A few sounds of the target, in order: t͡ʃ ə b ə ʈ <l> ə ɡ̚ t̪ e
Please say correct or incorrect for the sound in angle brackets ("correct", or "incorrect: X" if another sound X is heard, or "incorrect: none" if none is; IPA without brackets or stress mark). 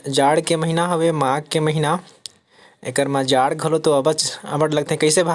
correct